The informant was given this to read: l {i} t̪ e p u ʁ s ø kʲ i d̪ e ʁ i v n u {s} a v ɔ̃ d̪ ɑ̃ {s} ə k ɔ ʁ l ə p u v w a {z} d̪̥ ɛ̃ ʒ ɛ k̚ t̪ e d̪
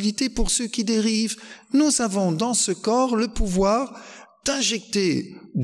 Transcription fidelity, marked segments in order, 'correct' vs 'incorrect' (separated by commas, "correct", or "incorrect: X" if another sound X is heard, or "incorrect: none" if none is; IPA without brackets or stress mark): correct, incorrect: z, correct, incorrect: ʁ